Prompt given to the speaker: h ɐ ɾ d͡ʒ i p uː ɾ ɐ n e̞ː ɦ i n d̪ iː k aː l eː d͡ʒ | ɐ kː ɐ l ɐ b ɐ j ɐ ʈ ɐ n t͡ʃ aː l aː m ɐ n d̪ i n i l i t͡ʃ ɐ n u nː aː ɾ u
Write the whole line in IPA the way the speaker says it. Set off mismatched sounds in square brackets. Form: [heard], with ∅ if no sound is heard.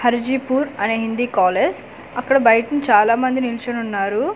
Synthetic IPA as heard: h ɐ ɾ d͡ʒ i p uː ɾ ɐ n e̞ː ɦ i n d̪ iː k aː l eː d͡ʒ | ɐ kː ɐ [ɽ] ɐ b ɐ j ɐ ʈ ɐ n t͡ʃ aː l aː m ɐ n d̪ i n i l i t͡ʃ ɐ n u nː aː ɾ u